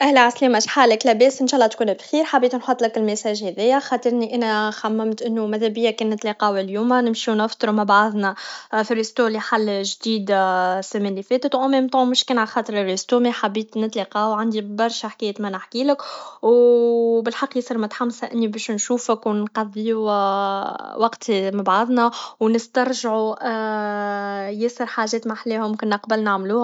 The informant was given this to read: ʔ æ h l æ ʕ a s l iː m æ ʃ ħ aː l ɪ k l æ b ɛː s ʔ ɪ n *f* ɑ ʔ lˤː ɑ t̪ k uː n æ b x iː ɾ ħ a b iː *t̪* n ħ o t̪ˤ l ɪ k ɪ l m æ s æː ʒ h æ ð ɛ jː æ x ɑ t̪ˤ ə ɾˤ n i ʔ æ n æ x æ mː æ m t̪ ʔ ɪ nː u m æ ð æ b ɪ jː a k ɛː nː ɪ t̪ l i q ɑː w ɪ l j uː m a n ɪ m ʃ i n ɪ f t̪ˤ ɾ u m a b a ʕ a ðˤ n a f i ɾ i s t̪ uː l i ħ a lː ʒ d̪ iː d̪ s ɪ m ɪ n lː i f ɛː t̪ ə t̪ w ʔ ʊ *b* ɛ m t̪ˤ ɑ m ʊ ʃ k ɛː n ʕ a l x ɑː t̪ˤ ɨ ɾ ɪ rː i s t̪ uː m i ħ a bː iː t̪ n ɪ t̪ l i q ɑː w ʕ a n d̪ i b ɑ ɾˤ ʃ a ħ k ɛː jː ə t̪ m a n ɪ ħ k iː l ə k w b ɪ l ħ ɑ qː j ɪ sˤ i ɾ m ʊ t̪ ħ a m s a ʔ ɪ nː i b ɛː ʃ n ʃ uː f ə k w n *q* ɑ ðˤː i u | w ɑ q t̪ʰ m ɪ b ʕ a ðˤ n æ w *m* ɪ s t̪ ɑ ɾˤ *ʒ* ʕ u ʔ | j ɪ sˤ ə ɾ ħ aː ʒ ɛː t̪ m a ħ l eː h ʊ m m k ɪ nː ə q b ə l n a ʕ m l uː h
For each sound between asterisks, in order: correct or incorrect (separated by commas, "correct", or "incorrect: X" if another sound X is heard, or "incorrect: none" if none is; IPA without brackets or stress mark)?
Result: incorrect: ʃ, correct, incorrect: m, correct, incorrect: n, correct